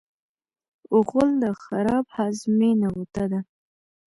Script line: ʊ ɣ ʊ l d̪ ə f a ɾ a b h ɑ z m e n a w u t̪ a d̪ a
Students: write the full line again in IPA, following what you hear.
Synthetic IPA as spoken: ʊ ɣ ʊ l d̪ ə x a ɾ ɑ b h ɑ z m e n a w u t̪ a d̪ a

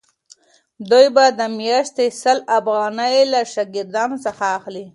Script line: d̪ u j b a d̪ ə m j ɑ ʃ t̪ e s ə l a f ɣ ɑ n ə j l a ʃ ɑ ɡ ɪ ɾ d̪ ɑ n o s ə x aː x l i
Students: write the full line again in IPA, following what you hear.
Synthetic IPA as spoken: d̪ u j b a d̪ ə m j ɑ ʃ t̪ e s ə l a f ɣ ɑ n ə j l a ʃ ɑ ɡ ɪ ɾ d̪ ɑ n o s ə x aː x l i

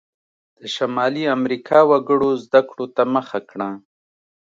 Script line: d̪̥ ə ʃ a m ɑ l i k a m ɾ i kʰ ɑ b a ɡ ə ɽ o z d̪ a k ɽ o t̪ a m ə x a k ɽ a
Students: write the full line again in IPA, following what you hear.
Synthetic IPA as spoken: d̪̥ ə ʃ a m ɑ l i a m ɾ i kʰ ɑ w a ɡ ə ɽ o z d̪ a k ɽ o t̪ a m ə x a k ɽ a

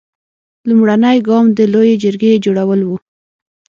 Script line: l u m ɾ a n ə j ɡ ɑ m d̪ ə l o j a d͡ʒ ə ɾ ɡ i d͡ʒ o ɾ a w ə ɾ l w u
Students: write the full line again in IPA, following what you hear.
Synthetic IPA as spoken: l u m ɽ a n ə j ɡ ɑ m d̪ ə l o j e d͡ʒ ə ɾ ɡ e d͡ʒ o ɽ a w ə l w u

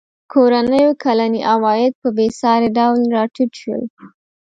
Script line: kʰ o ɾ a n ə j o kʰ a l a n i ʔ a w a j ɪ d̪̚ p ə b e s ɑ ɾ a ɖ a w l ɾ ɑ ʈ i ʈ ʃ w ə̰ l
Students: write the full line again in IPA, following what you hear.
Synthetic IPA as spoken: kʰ o ɾ a n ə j o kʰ a l a n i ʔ a w ɑ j ɪ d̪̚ p ə b e s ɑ ɾ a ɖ a w l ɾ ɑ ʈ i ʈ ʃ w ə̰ l

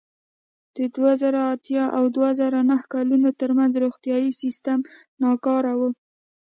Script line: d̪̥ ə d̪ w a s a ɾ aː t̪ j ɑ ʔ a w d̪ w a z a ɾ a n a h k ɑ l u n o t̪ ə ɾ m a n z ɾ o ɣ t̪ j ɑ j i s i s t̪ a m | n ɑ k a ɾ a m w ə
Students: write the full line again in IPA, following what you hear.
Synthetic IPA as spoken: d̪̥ ə d̪ w a z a ɾ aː t̪ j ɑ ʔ a w d̪ w a z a ɾ a n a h k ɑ l u n o t̪ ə ɾ m a n z ɾ o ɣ t̪ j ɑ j i s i s t̪ a m | n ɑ k ɑ ɾ a w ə

